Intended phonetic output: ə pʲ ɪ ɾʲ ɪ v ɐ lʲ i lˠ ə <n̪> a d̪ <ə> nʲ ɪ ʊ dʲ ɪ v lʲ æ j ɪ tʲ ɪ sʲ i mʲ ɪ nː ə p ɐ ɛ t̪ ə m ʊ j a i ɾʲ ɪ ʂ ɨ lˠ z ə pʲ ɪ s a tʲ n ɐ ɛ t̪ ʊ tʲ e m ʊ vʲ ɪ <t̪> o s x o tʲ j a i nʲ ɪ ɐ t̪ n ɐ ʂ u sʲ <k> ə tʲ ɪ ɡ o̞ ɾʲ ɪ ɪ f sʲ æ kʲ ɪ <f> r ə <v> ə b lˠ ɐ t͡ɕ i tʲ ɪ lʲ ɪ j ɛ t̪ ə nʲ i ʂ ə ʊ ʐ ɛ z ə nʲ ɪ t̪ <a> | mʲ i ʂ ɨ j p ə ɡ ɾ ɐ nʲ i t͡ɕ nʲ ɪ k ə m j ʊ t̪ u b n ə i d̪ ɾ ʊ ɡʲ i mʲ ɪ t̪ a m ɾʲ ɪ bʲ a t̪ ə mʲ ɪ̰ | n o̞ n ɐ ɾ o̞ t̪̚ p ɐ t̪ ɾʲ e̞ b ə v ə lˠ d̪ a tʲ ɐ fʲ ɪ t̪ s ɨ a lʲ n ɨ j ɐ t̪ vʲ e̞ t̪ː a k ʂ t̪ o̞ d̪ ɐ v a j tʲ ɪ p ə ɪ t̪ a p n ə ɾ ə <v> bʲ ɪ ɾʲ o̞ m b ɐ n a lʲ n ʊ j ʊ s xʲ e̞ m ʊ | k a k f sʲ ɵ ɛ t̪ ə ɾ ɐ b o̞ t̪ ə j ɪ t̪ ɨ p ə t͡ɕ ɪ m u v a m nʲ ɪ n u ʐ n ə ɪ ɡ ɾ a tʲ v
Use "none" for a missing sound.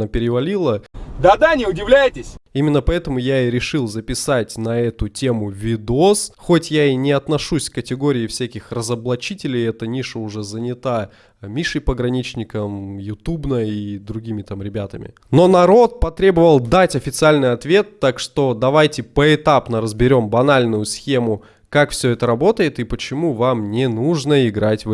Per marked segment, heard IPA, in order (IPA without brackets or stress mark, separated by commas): d̪, a, d̪, k, x, z, a, z